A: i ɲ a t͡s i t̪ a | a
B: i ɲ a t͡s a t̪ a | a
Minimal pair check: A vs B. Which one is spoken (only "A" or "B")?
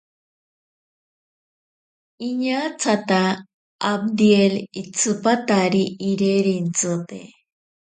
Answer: B